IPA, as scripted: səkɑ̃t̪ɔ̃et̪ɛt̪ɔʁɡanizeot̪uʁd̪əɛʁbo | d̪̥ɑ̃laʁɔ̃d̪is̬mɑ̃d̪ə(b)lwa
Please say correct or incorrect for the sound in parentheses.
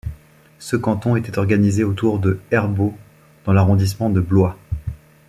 correct